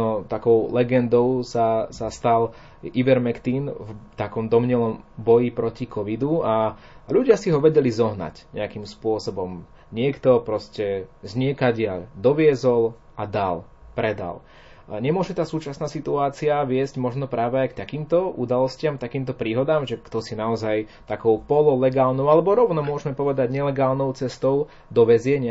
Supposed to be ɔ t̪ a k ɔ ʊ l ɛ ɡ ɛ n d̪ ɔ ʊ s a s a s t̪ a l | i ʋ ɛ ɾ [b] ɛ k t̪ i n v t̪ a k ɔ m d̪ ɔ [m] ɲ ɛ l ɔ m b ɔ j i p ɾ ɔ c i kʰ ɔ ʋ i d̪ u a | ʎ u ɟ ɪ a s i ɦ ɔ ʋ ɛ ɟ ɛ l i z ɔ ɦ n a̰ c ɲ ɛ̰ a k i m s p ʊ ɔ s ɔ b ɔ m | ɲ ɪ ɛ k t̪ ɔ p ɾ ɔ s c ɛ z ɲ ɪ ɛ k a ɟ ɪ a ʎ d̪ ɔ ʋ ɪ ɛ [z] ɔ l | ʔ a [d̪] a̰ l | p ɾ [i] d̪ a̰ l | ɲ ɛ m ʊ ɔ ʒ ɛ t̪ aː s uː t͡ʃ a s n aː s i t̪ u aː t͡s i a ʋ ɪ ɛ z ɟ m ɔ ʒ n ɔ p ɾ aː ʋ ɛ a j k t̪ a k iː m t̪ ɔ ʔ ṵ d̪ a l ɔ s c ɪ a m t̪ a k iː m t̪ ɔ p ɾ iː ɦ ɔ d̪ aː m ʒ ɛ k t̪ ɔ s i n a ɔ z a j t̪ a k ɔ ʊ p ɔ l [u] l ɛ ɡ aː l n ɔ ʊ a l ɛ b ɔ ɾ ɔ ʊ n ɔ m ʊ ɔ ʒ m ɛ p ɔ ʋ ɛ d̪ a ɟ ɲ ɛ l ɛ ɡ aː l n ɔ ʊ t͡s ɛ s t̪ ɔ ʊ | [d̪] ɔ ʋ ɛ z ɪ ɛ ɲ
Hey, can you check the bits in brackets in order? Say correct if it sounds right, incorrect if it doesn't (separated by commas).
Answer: incorrect, correct, correct, correct, incorrect, incorrect, correct